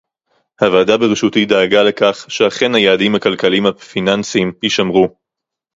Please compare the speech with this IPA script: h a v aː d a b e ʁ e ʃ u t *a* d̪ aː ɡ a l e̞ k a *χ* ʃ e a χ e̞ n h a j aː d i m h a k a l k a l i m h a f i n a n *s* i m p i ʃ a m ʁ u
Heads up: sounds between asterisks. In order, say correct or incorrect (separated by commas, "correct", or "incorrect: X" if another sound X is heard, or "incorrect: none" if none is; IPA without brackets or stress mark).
incorrect: i, correct, correct